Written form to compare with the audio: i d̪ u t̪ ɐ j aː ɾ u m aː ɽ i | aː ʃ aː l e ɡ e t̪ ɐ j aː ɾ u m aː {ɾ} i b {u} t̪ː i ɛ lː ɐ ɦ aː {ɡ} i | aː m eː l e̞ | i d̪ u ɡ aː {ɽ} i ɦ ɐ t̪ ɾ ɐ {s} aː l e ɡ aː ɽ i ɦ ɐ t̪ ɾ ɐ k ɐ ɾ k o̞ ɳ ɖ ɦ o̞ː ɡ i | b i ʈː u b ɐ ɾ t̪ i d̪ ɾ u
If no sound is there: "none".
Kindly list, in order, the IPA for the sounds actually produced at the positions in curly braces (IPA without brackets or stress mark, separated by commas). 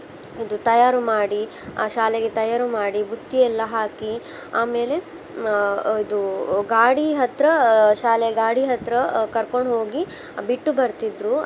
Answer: ɽ, u, k, ɽ, ʃ